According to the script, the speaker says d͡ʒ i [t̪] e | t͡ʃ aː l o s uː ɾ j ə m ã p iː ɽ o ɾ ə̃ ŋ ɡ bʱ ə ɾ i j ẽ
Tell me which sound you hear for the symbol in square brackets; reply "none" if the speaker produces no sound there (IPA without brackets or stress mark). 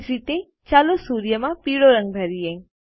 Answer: t̪